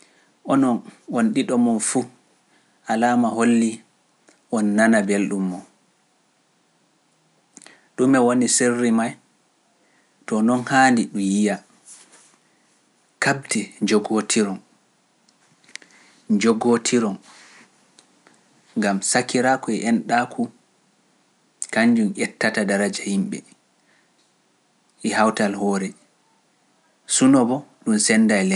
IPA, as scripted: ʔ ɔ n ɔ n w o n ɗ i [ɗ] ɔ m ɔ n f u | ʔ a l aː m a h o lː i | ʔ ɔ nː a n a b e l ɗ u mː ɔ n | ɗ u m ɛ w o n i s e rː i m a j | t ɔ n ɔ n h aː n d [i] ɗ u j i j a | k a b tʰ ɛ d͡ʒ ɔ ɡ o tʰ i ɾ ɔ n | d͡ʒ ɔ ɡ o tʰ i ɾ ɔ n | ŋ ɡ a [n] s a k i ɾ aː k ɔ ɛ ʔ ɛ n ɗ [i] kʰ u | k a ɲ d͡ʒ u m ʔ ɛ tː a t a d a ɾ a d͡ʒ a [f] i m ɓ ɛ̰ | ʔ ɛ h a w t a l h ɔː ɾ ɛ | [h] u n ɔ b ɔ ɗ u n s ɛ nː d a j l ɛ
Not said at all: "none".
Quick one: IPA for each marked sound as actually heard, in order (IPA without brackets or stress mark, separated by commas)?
ɗ, i, m, a, h, s